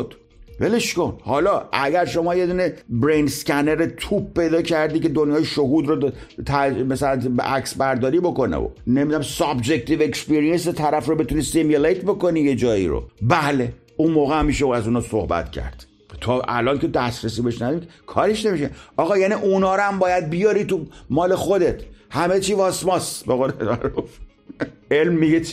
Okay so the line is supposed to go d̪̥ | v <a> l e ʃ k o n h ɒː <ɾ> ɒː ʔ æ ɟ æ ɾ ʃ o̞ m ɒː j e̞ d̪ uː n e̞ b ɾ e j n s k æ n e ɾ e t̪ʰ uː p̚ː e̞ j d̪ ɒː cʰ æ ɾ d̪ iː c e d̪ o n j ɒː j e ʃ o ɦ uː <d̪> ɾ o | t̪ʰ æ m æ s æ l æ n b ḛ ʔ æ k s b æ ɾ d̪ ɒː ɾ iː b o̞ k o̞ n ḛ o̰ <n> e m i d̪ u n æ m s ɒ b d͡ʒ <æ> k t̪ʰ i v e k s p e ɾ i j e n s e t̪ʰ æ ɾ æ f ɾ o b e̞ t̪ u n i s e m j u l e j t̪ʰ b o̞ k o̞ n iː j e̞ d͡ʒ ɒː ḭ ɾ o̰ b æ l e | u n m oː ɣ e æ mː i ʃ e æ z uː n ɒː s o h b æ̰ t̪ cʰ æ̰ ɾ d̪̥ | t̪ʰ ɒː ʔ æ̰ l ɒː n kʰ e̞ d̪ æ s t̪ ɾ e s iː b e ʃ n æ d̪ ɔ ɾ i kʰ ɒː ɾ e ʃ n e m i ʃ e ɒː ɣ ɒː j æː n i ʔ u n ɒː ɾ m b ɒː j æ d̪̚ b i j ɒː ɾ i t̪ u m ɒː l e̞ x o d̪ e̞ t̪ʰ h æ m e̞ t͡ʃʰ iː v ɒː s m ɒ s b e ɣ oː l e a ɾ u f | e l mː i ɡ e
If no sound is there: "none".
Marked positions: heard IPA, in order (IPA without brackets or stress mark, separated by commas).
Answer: e, l, d̪, n, e